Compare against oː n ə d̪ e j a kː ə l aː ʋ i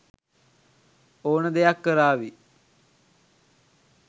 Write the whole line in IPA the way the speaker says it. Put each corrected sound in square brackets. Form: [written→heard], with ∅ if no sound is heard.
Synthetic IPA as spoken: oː n ə d̪ e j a kː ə [l→ɾ] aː ʋ i